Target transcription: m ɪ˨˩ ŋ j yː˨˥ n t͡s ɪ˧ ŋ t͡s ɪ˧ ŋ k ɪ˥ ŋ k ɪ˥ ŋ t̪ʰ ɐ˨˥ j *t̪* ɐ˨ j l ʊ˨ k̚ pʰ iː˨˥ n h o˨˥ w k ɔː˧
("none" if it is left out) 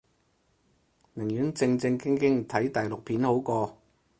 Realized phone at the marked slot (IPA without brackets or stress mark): t̪